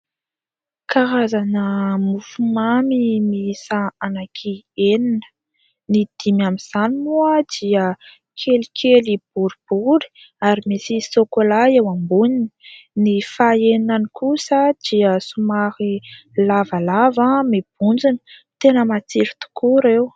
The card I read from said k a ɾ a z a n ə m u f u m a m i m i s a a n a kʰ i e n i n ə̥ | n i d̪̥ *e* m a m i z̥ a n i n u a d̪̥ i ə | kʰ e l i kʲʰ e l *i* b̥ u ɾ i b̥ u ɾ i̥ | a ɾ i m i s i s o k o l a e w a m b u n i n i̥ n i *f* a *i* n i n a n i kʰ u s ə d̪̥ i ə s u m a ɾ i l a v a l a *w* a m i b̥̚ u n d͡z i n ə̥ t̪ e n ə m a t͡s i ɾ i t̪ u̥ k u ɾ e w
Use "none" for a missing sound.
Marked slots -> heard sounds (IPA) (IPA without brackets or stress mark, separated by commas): i, i, f, e, v